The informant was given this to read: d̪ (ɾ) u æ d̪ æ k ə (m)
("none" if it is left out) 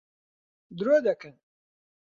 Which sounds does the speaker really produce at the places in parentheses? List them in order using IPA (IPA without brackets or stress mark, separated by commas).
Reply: ɾ, n